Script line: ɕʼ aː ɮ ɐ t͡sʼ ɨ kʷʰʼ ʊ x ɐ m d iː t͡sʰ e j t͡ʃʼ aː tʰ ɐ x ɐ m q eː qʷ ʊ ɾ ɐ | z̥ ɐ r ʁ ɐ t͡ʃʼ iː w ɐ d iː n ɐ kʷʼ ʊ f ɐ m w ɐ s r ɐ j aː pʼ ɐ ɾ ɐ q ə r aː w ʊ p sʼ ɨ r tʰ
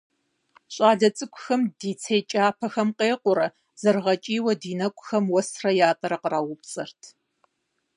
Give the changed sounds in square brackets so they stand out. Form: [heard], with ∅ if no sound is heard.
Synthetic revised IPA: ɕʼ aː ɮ ɐ t͡sʼ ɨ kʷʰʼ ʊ x ɐ m d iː t͡sʰ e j t͡ʃʼ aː [pʰ] ɐ x ɐ m q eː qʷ ʊ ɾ ɐ | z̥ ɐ r ʁ ɐ t͡ʃʼ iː w ɐ d iː n ɐ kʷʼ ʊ [x] ɐ m w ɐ s r ɐ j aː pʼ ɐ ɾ ɐ q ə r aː w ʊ p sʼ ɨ r tʰ